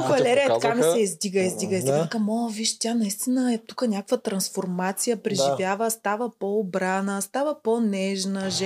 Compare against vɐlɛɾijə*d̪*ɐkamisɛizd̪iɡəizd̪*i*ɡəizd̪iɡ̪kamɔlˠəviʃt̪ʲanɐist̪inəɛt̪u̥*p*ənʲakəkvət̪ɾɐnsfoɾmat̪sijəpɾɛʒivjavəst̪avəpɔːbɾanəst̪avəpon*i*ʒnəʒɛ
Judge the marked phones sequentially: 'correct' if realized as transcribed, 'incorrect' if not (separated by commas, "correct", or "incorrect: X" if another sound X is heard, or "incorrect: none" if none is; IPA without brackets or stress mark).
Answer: incorrect: t̪, correct, incorrect: k, incorrect: ɛ